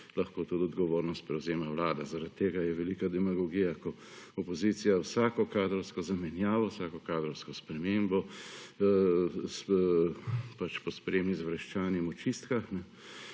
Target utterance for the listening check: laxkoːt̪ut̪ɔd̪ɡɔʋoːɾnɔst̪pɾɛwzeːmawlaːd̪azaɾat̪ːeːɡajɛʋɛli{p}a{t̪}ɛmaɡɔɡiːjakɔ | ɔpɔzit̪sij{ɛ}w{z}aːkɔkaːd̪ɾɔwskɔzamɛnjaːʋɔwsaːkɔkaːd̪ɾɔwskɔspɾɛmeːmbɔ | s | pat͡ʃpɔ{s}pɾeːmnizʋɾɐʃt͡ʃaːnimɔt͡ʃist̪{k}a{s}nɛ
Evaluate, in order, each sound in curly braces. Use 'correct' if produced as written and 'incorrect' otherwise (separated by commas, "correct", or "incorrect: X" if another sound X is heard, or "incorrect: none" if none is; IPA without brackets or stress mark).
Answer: incorrect: k, incorrect: d̪, incorrect: a, incorrect: s, correct, correct, incorrect: x